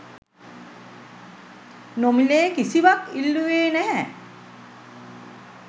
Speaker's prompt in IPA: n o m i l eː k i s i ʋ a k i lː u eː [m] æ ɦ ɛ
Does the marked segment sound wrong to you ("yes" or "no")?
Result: yes